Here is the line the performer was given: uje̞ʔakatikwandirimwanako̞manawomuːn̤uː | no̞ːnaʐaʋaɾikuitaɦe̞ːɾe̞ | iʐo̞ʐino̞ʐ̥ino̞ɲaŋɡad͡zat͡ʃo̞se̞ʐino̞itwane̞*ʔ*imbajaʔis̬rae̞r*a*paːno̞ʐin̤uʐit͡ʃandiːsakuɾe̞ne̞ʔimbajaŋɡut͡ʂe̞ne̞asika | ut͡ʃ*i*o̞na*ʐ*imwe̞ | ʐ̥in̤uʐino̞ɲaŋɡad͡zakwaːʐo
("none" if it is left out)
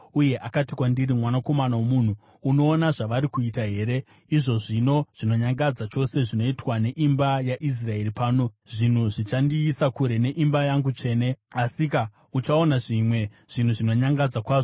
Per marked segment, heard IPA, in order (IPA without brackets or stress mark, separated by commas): ʔ, i, a, ʐ